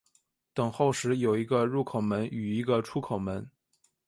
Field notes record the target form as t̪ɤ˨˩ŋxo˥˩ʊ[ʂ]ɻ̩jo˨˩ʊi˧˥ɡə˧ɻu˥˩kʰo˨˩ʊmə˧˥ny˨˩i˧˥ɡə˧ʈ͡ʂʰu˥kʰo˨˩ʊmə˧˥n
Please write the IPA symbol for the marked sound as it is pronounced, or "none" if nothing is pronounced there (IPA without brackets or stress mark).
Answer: ʂ